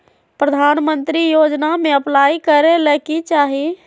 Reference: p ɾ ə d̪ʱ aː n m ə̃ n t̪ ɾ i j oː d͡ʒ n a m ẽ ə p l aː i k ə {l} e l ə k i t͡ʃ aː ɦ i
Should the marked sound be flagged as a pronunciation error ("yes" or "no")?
yes